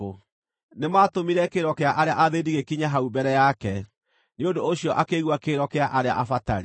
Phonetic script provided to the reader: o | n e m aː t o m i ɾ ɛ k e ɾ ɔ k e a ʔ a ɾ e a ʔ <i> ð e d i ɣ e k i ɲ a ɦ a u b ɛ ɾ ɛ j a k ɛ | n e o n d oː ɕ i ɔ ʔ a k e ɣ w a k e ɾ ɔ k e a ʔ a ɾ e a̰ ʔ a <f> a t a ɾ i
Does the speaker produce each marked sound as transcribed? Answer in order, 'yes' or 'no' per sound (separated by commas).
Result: no, yes